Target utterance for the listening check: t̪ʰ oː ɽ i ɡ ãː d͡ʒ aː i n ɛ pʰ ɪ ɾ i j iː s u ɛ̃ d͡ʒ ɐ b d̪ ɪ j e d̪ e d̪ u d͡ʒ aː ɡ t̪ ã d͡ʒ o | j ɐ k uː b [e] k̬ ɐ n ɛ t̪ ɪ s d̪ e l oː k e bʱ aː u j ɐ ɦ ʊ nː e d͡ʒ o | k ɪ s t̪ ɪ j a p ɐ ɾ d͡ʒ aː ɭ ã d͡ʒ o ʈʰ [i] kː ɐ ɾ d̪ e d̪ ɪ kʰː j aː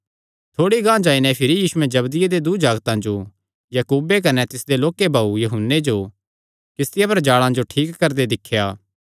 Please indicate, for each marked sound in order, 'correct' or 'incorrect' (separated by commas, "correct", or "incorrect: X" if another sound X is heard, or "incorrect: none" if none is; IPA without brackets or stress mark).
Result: correct, incorrect: iː